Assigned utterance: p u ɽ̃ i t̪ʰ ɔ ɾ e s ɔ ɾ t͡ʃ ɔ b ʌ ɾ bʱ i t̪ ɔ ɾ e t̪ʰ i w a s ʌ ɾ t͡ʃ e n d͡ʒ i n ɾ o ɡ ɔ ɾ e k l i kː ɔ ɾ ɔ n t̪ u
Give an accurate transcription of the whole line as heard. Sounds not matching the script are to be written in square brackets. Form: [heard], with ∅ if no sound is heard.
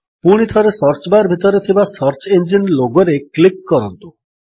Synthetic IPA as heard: p u ɽ̃ i t̪ʰ ɔ ɾ e s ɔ ɾ t͡ʃ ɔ b [a] ɾ bʱ i t̪ ɔ ɾ e t̪ʰ i [b] a s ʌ ɾ t͡ʃ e n d͡ʒ i n [l] o ɡ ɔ ɾ e k l i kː ɔ ɾ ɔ n t̪ u

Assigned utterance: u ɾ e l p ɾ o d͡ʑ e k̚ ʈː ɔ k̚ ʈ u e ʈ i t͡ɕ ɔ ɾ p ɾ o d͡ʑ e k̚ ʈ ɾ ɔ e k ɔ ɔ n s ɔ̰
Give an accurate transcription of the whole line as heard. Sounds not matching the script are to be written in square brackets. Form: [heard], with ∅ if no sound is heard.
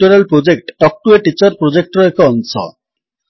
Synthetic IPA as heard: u ɾ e l p ɾ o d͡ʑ e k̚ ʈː ɔ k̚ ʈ u e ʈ i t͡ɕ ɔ ɾ p ɾ o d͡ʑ e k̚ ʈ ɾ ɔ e k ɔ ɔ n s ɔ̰

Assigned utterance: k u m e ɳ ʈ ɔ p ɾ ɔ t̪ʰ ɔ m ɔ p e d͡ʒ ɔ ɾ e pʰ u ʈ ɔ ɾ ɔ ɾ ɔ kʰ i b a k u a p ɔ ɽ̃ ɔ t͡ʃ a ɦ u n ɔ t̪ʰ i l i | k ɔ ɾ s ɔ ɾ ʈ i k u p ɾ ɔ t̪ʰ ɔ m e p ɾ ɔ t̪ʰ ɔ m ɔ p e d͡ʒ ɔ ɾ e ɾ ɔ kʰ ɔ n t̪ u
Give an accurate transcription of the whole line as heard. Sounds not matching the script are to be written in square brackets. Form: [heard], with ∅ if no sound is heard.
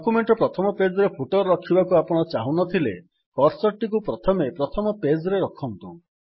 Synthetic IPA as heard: k u m e ɳ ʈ ɔ p ɾ ɔ t̪ʰ ɔ m ɔ p e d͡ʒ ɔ ɾ e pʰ u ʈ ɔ ɾ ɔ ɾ ɔ kʰ i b a k u a p ɔ ɽ̃ ɔ t͡ʃ a ɦ u n ɔ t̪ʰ i l [e] | k ɔ ɾ s ɔ ɾ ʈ i k u p ɾ ɔ t̪ʰ ɔ m e p ɾ ɔ t̪ʰ ɔ m ɔ p e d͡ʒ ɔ ɾ e ɾ ɔ kʰ ɔ n t̪ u

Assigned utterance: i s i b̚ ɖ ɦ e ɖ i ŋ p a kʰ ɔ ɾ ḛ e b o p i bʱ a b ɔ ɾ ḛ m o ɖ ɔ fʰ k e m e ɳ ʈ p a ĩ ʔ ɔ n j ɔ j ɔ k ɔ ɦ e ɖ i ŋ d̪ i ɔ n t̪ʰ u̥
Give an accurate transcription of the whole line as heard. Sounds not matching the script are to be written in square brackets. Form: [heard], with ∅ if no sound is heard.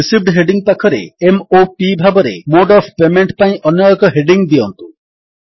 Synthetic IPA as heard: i s i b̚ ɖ ɦ e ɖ i ŋ p a kʰ ɔ ɾ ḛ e [m] o p i bʱ a b ɔ ɾ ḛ m o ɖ ɔ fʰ [p] e m e ɳ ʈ p a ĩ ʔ ɔ n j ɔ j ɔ k ɔ ɦ e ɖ i ŋ d̪ i ɔ n [t̪] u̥

